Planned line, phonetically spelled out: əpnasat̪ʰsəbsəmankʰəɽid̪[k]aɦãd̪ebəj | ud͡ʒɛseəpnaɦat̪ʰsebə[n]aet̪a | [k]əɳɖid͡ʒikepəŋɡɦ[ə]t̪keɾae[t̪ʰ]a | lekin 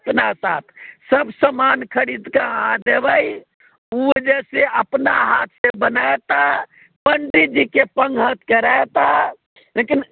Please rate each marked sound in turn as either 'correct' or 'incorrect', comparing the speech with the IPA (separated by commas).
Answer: correct, correct, incorrect, correct, incorrect